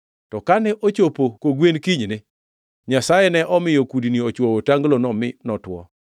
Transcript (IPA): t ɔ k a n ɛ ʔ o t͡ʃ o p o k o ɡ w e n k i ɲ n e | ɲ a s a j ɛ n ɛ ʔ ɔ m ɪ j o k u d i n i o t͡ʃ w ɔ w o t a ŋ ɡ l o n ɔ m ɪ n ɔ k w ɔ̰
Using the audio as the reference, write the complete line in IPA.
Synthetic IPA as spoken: t ɔ k a n ɛ ʔ o t͡ʃ o p o k o ɡ w e n k i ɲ n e | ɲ a s a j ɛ n ɛ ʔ ɔ m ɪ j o k u d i n i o t͡ʃ w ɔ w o t a ŋ ɡ l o n ɔ m ɪ n ɔ t w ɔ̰